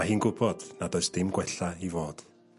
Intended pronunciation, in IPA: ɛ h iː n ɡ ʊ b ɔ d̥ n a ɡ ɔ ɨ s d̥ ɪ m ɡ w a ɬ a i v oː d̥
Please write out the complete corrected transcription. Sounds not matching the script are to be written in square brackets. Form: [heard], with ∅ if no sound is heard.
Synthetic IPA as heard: [a] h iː n ɡ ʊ b ɔ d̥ n a [d] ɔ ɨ s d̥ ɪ m ɡ w [ɛ] ɬ a i v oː d̥